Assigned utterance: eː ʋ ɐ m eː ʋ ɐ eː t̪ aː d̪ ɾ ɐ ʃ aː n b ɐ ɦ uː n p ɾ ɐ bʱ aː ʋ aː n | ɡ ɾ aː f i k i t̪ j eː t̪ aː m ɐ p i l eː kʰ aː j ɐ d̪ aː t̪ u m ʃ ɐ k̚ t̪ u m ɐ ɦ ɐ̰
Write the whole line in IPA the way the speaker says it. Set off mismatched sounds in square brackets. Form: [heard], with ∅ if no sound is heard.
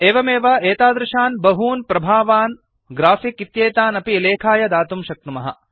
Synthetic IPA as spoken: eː ʋ ɐ m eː ʋ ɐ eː t̪ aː d̪ ɾ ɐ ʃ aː n b ɐ ɦ uː n p ɾ ɐ bʱ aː ʋ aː n | ɡ ɾ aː f i k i t̪ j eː t̪ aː [n] ɐ p i l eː kʰ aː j ɐ d̪ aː t̪ u m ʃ ɐ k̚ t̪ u m ɐ ɦ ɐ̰